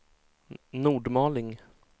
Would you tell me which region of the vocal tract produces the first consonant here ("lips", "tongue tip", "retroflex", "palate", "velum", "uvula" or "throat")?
tongue tip